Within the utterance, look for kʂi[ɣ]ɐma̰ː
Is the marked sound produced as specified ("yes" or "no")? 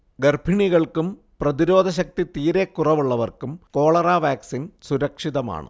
no